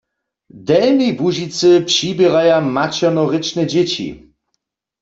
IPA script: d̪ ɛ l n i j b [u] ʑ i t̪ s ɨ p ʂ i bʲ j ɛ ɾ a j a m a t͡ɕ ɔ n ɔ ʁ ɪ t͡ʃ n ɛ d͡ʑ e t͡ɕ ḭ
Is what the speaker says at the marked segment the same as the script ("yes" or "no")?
yes